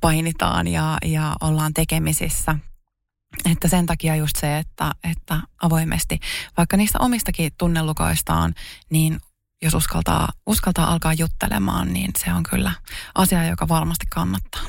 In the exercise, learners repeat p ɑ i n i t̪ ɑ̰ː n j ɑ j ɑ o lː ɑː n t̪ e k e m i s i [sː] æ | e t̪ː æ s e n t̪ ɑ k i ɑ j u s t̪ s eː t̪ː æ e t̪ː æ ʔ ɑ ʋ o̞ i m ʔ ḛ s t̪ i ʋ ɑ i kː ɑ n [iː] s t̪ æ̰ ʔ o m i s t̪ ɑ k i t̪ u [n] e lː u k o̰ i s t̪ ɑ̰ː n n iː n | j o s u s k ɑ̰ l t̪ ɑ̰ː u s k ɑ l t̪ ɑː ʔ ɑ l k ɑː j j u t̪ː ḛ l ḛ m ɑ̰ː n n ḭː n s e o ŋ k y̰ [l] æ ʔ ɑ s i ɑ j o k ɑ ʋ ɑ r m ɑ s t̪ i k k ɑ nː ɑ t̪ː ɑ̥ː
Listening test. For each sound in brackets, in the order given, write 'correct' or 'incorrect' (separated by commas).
correct, correct, incorrect, incorrect